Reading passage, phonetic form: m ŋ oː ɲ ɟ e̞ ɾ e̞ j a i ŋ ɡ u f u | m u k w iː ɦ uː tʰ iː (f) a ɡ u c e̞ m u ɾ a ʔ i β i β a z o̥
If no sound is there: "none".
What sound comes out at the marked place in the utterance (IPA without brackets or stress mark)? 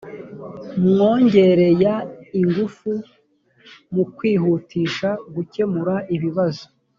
ʃ